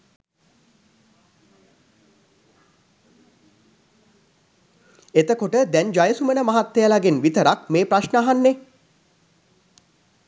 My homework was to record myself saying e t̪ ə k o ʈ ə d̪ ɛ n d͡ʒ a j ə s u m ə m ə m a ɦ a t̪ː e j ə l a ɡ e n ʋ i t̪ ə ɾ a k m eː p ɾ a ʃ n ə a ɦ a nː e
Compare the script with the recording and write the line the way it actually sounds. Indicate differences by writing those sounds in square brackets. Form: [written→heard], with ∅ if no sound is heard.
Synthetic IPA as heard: e t̪ ə k o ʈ ə d̪ ɛ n d͡ʒ a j ə s u m ə [m→n] ə m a ɦ a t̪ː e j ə l a ɡ e n ʋ i t̪ ə ɾ a k m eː p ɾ a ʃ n ə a ɦ a nː e